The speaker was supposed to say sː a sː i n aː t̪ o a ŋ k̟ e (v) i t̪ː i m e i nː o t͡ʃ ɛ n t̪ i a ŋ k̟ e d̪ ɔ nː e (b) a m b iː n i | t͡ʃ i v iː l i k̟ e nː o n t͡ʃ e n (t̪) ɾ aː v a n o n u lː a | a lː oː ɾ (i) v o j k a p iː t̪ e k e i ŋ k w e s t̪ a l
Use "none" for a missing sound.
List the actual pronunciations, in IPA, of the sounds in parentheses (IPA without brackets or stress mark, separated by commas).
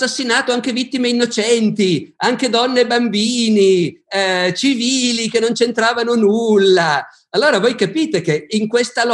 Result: v, b, t̪, a